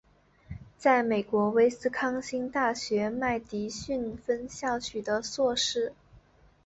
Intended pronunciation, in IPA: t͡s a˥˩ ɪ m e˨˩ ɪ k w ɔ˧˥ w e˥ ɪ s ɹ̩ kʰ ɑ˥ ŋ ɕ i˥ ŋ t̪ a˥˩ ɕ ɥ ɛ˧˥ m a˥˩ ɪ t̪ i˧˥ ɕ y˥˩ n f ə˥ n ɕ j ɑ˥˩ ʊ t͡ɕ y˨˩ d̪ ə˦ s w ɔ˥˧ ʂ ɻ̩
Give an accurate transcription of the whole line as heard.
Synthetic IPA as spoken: t͡s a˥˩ ɪ m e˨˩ ɪ k w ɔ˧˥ w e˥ ɪ s ɹ̩ kʰ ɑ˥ ŋ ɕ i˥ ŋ t̪ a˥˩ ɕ ɥ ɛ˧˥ m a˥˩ ɪ t̪ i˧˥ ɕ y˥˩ n f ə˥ n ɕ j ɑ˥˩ ʊ t͡ɕʰ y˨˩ d̪ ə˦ s w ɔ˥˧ ʂ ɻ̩